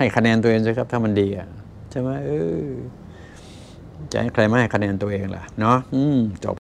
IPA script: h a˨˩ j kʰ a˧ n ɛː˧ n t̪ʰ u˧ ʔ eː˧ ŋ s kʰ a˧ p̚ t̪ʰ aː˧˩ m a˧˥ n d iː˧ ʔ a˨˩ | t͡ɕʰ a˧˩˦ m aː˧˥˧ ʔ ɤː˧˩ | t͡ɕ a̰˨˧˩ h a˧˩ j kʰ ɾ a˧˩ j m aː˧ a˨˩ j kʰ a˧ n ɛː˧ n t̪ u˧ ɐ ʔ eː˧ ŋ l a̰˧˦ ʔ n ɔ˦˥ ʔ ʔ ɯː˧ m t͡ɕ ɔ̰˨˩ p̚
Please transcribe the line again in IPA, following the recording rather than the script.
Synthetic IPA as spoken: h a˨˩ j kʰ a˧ n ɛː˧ n t̪ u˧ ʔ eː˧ ŋ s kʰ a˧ p̚ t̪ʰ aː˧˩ m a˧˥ n d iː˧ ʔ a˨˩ | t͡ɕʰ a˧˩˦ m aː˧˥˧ ʔ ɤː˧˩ | t͡ɕ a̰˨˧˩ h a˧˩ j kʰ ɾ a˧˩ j m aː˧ a˨˩ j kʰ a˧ n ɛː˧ n t̪ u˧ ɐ ʔ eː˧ ŋ l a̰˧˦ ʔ n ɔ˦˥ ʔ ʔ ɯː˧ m t͡ɕ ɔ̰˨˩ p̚

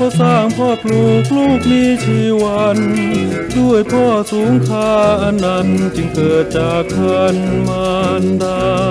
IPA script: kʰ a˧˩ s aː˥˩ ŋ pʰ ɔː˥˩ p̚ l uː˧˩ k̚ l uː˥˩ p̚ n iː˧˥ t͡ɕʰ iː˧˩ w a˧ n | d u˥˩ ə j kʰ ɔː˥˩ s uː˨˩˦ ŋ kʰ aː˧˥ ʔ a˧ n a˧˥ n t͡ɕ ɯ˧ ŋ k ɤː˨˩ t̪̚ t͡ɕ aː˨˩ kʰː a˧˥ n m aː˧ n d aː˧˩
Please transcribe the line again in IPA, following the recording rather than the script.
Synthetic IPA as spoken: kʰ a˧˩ s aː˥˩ ŋ pʰ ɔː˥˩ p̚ l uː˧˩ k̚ l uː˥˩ k̚ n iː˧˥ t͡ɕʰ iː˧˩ w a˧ n | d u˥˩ ə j pʰ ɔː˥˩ s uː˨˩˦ ŋ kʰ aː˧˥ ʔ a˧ n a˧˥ n t͡ɕ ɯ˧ ŋ k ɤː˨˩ t̪̚ t͡ɕ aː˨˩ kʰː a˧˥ n m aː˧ n d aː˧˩

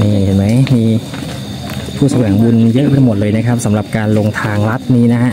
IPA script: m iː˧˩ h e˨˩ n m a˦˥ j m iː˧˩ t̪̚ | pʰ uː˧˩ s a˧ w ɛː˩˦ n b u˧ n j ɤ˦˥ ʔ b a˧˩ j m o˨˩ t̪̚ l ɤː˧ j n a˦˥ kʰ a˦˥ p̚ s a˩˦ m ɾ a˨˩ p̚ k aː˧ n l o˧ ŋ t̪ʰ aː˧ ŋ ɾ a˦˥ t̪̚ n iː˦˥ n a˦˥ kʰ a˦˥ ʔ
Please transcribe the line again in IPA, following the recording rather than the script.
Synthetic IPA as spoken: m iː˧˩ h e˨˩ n m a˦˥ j m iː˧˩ | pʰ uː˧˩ s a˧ w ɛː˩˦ ŋ b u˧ n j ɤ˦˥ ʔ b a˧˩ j m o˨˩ t̪̚ l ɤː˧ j n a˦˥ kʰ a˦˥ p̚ s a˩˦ m ɾ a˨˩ p̚ k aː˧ n l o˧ ŋ t̪ʰ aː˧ ŋ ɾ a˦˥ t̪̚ n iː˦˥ n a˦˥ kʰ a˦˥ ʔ

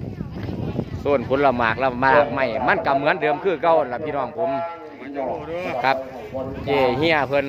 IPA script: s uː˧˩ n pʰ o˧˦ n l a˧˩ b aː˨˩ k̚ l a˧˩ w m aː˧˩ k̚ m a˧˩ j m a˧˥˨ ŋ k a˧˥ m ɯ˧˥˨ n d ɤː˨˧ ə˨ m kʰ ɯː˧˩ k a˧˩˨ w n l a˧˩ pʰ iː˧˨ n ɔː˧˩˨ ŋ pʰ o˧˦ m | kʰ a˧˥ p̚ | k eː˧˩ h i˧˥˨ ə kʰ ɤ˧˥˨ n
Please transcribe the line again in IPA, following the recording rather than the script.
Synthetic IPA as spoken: s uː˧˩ n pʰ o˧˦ n l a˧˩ m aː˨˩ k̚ l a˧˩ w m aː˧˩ k̚ m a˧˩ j m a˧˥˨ n k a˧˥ m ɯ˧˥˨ n d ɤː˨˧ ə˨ m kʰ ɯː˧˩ k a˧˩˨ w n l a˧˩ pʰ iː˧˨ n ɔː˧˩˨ ŋ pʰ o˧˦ m | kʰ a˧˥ p̚ | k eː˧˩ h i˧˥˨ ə pʰ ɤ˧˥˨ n

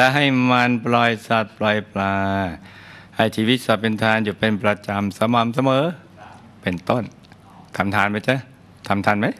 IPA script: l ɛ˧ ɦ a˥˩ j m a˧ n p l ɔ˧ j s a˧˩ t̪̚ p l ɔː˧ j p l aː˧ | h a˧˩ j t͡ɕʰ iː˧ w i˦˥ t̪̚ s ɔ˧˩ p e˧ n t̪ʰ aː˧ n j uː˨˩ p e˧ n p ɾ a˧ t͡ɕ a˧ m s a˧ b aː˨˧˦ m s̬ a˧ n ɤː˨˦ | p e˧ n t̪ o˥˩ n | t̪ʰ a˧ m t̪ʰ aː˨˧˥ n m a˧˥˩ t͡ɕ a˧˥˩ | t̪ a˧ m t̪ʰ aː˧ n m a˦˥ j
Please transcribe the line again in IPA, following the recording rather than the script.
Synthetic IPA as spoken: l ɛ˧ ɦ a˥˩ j m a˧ n p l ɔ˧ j s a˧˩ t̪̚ p l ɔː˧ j p l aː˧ | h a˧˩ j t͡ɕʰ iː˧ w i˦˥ t̪̚ s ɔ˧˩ p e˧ n t̪ʰ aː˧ n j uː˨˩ p e˧ n p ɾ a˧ t͡ɕ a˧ m s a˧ m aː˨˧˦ m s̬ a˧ m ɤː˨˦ | p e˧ n t̪ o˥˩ n | t̪ʰ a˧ m t̪ʰ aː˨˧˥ n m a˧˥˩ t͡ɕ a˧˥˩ | t̪ʰ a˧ m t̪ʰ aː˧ n m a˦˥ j

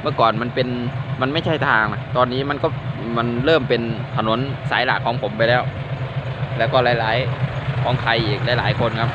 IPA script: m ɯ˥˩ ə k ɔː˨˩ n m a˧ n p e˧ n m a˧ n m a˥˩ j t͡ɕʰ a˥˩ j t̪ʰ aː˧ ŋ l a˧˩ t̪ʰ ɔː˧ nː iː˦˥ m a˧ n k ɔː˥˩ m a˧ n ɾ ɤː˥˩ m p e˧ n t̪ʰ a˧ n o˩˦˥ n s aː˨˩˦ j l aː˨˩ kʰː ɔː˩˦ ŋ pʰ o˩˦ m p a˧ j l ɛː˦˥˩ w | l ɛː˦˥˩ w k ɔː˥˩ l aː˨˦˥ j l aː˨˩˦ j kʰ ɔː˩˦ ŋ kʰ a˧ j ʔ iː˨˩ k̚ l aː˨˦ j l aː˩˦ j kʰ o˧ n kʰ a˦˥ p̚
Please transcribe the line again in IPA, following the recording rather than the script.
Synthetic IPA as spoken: m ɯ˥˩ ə k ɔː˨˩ n m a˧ n p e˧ n m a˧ n m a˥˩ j t͡ɕʰ a˥˩ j t̪ʰ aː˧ ŋ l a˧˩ t̪ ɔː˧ nː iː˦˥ m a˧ n k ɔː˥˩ m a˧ n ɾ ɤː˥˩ m p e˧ n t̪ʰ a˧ n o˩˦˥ n s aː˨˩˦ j l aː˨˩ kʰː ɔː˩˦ ŋ pʰ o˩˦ m p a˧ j l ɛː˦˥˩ w | l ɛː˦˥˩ w k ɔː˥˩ l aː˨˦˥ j l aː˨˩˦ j kʰ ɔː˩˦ ŋ kʰ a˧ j ʔ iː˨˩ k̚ l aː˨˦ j l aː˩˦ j kʰ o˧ n kʰ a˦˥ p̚

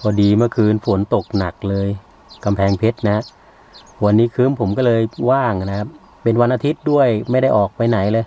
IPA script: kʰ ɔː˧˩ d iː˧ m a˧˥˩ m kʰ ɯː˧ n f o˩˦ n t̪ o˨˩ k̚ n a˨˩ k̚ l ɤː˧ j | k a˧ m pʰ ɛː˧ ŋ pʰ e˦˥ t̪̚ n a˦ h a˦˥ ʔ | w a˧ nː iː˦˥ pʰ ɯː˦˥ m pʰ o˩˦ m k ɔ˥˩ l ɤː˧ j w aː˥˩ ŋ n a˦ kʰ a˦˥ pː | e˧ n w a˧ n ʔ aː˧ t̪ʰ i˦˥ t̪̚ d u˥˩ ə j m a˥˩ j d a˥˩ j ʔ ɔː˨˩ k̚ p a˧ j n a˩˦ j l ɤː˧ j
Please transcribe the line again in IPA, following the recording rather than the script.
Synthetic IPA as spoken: pʰ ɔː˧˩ d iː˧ m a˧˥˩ kʰ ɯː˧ n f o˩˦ n t̪ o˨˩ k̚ n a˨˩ k̚ l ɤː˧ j | k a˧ m pʰ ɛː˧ ŋ pʰ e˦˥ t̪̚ n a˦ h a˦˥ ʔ | w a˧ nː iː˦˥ kʰ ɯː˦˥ m pʰ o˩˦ m k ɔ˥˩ l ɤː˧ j w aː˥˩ ŋ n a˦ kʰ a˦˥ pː | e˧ n w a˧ n ʔ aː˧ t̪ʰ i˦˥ t̪̚ d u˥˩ ə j m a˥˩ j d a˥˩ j ʔ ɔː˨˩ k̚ p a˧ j n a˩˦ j l ɤː˧ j

